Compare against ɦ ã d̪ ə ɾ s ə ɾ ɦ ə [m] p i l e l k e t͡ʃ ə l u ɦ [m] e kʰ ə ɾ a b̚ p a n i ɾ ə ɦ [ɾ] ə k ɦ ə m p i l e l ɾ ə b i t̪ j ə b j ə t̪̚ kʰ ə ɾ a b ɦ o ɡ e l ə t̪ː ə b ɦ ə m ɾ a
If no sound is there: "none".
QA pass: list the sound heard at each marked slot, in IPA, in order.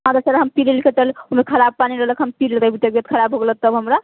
m, m, l

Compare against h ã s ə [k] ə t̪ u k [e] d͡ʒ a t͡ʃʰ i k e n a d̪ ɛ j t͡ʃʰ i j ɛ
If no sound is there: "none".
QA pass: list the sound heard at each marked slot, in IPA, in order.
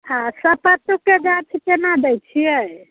p, e

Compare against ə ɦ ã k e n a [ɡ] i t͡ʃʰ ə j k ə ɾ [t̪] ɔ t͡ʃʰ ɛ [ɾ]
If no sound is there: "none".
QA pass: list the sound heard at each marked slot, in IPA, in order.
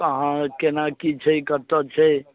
k, t̪, none

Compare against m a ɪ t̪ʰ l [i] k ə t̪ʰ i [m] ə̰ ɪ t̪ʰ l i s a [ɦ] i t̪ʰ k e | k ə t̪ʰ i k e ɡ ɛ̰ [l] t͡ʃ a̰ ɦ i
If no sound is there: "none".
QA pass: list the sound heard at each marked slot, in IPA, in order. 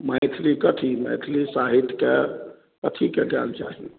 i, m, ɦ, l

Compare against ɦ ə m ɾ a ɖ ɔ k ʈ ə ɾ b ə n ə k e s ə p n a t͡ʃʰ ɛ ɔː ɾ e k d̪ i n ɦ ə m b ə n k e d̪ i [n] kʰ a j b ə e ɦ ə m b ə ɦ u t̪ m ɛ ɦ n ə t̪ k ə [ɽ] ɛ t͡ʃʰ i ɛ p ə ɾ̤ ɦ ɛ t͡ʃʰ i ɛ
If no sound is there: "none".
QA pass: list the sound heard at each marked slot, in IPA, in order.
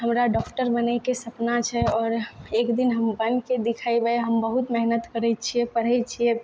none, ɾ

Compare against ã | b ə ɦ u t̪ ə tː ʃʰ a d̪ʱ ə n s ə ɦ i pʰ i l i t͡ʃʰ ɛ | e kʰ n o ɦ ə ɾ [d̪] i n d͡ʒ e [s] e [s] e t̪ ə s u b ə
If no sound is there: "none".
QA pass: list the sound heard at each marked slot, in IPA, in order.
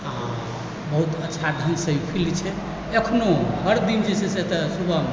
d̪, s, s

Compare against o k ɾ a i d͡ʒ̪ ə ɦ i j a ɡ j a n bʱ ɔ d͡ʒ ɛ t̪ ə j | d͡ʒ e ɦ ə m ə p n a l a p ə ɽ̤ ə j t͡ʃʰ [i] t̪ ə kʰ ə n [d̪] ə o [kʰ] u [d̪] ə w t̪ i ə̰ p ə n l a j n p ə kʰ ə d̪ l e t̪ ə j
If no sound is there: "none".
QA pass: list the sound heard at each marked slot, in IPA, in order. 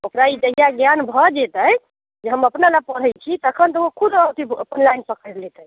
i, t̪, kʰ, d̪

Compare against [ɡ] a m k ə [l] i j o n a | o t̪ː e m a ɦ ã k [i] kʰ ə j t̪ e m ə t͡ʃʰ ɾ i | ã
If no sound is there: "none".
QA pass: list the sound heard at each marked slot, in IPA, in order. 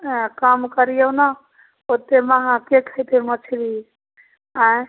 k, ɾ, e

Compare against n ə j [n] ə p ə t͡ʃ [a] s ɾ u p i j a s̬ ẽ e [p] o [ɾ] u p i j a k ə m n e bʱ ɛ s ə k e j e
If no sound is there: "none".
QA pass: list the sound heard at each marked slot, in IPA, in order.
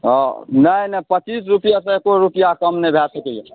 n, i, k, ɾ

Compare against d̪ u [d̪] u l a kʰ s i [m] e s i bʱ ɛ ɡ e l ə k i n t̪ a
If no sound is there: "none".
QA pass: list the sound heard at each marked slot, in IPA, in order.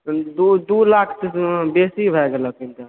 d̪, b

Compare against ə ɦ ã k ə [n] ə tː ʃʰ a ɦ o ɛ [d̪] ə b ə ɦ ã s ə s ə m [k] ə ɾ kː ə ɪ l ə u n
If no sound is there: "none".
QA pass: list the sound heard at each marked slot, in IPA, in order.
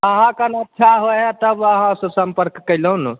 n, t̪, p

